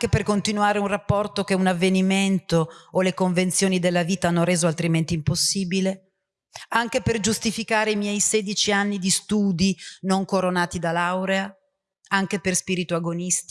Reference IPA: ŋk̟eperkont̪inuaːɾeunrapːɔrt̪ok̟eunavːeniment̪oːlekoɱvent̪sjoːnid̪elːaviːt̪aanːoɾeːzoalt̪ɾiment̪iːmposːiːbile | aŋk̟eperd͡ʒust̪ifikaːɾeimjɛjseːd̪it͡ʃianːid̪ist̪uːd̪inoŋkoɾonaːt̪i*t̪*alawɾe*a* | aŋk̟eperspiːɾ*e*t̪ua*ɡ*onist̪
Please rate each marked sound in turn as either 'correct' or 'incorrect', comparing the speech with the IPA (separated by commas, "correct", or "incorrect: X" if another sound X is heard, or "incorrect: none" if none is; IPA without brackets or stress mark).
incorrect: d̪, correct, incorrect: i, correct